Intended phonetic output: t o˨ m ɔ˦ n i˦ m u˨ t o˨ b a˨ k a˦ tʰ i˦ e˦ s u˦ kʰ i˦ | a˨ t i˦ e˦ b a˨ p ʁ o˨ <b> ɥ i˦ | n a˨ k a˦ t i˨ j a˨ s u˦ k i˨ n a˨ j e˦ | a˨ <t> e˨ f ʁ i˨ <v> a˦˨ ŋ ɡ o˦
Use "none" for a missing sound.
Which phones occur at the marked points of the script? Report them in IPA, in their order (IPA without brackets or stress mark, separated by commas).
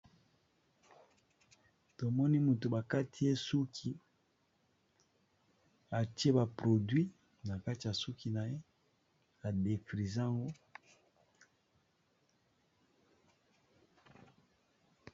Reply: d, d, z